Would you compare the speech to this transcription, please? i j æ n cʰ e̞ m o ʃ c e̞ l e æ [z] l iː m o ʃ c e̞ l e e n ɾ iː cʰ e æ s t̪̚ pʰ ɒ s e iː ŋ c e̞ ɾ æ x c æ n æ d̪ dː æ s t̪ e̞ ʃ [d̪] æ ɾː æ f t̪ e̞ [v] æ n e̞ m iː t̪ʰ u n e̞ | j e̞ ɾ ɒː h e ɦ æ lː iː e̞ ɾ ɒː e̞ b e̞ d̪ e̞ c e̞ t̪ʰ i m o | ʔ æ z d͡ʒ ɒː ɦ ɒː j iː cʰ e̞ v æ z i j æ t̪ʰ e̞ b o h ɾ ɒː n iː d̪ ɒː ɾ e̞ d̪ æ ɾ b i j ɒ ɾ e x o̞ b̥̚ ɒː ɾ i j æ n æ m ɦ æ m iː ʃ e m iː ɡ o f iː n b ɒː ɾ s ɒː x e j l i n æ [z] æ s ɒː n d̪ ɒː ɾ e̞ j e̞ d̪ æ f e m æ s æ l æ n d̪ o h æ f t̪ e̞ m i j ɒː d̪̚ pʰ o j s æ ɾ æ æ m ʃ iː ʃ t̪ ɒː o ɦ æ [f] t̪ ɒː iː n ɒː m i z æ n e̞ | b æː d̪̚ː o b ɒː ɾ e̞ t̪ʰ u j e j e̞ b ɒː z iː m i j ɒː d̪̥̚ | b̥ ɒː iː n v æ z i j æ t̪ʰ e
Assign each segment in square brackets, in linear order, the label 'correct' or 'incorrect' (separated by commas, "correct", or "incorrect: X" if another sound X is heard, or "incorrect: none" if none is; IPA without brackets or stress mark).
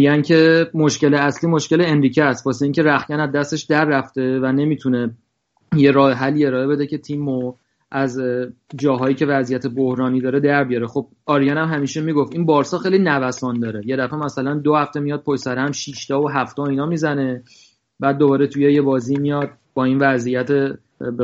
incorrect: s, correct, correct, incorrect: v, correct